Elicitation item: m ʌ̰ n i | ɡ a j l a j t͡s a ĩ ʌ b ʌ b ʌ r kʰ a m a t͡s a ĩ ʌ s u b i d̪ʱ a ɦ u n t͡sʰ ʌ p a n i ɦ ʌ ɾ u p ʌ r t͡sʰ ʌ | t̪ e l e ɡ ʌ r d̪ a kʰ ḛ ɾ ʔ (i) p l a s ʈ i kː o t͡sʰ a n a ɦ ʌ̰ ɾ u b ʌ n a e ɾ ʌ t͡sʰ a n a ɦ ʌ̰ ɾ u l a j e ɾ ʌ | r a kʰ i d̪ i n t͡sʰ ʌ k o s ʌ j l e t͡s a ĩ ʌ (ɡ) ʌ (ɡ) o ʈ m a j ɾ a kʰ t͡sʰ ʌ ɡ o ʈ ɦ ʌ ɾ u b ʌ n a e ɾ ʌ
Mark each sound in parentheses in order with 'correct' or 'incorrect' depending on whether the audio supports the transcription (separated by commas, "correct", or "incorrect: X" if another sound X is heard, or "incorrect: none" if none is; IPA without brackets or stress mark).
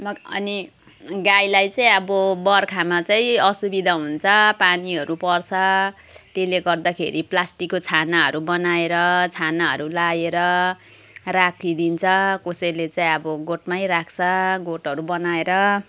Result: correct, incorrect: b, correct